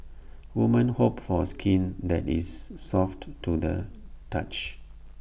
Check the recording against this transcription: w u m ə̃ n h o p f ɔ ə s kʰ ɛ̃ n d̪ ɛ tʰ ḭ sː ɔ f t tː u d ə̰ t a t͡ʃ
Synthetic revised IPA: w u m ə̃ n h o p f ɔ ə s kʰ ĩ n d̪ ɛ t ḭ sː ɔ f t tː u d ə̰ t a t͡ʃ